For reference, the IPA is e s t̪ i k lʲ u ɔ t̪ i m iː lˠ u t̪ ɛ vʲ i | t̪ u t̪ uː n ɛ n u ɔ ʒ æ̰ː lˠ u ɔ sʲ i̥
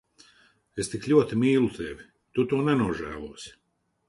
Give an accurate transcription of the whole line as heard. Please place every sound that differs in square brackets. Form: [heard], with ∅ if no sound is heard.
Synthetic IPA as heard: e s t̪ i k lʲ u ɔ t̪ i m iː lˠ u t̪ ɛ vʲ i | t̪ u t̪ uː n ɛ n u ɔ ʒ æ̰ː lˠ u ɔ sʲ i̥